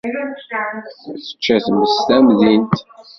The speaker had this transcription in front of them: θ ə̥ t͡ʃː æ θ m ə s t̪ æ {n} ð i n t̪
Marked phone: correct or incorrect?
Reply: incorrect: m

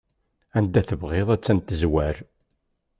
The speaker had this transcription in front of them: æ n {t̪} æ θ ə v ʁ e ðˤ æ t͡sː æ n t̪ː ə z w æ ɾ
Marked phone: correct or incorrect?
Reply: incorrect: d̪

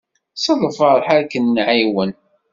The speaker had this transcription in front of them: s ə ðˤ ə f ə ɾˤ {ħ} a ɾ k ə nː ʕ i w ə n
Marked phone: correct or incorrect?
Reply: correct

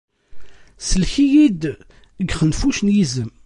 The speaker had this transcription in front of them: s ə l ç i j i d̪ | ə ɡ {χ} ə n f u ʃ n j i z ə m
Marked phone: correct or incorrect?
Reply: correct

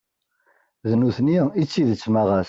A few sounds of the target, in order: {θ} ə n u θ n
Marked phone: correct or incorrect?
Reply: incorrect: ð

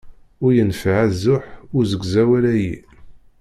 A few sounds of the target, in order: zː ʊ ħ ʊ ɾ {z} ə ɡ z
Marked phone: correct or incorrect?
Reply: correct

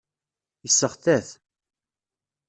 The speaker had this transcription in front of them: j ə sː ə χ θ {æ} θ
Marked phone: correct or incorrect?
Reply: correct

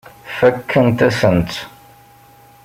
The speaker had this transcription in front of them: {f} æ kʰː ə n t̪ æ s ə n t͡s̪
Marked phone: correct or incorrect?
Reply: correct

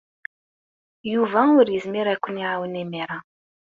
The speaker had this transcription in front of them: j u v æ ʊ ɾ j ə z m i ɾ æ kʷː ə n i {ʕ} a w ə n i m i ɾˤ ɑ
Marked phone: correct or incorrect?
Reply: correct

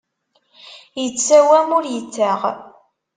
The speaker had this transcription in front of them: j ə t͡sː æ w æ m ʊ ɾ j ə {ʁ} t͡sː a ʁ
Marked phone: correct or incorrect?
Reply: incorrect: none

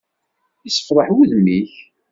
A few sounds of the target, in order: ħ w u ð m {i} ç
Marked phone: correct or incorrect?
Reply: correct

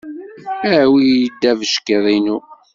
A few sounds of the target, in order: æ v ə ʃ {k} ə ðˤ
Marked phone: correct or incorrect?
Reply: correct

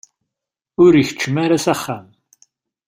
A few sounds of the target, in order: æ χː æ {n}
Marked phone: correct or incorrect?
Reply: incorrect: m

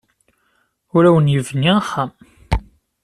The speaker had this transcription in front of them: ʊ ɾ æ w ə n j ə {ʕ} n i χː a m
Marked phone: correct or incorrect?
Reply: incorrect: v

